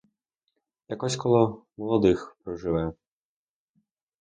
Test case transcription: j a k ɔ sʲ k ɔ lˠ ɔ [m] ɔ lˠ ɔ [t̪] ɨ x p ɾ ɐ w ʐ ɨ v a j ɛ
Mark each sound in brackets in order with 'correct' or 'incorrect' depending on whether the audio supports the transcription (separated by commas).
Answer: correct, incorrect